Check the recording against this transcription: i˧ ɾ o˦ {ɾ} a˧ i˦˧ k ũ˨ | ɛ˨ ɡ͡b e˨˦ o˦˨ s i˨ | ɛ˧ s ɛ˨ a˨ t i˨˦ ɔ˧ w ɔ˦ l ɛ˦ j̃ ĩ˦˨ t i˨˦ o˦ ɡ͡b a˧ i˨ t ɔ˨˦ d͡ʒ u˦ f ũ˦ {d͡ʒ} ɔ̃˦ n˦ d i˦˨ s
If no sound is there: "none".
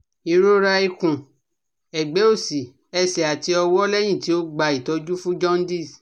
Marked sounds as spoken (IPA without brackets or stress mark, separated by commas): ɾ, d͡ʒ